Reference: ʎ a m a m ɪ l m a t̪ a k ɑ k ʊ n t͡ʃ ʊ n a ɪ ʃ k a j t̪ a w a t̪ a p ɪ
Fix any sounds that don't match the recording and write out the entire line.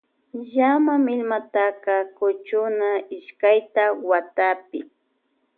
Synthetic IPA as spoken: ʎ a m a m ɪ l m a t̪ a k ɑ k ʊ t͡ʃ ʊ n a ɪ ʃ k a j t̪ a w a t̪ a p ɪ